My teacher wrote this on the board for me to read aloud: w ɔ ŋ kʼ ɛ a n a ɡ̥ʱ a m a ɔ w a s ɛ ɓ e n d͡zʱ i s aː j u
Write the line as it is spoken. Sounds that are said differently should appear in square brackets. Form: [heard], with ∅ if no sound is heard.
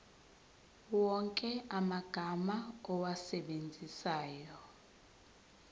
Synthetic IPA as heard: w ɔ ŋ kʼ ɛ a [m] a ɡ̥ʱ a m a ɔ w a s ɛ ɓ e n d͡zʱ i s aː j [ɔ]